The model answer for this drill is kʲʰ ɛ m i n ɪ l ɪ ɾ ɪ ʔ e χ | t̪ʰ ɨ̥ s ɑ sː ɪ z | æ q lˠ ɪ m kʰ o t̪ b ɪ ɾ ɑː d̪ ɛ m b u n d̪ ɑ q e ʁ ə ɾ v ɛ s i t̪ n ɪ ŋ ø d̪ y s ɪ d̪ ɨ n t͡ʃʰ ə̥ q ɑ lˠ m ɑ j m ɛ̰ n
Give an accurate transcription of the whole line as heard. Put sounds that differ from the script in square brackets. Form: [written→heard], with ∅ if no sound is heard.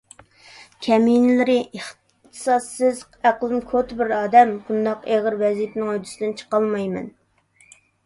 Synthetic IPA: kʲʰ ɛ m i n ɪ l ɪ ɾ ɪ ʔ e χ | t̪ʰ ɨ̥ s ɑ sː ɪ z | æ q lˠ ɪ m kʰ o t̪ b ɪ ɾ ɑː d̪ ɛ m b u n d̪ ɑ q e ʁ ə ɾ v ɛ [s→z] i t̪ n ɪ ŋ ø d̪ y s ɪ d̪ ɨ n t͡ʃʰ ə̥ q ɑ lˠ m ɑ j m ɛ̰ n